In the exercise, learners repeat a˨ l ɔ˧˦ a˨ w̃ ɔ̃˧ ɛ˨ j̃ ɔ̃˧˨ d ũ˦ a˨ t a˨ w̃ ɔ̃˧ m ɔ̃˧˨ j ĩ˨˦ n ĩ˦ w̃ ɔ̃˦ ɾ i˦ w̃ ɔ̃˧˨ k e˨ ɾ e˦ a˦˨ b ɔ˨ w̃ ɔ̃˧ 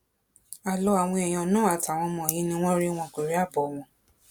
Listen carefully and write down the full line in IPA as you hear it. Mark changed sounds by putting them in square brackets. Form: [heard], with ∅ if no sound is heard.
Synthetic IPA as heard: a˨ l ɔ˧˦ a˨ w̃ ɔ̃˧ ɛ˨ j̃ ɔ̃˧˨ [n] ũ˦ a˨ t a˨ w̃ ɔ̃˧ m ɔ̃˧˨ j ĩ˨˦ n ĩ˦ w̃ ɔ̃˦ ɾ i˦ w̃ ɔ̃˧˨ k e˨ ɾ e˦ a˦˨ b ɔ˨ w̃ ɔ̃˧